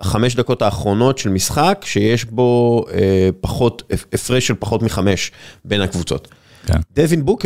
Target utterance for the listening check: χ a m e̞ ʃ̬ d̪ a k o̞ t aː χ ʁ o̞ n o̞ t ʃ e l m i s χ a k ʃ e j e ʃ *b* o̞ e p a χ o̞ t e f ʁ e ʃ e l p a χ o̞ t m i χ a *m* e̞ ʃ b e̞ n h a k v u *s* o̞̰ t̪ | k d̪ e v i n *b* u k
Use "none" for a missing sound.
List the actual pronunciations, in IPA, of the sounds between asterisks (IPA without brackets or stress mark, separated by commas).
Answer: b, m, t͡s, b